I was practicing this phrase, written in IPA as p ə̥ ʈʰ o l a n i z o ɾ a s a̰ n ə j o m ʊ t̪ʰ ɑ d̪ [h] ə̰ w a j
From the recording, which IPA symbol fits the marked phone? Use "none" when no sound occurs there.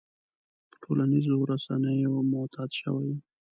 ʃ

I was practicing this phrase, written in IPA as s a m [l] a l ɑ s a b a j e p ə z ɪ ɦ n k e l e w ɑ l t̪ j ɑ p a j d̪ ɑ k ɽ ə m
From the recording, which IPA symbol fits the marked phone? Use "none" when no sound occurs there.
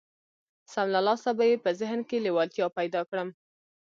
l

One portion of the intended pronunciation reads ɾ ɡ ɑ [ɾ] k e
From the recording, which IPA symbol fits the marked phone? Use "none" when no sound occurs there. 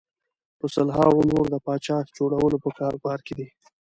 ɾ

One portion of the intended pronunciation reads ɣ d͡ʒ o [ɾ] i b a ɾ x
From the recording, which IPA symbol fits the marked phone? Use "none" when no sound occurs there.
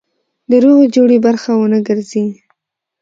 ɽ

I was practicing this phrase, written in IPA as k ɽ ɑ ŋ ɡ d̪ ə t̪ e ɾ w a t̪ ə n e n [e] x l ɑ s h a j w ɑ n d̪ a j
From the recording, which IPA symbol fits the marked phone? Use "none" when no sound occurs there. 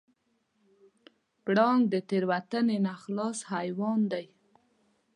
a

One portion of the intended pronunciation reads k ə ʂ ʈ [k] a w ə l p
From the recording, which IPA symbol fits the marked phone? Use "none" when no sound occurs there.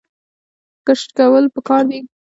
k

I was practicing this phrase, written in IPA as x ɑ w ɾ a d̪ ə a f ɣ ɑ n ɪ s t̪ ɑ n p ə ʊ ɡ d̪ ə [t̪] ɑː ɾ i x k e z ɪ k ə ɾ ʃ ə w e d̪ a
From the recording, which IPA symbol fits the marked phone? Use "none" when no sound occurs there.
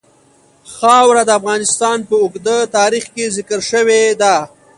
t̪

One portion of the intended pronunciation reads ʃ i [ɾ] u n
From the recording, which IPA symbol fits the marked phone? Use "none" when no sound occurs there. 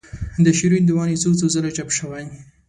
ɾ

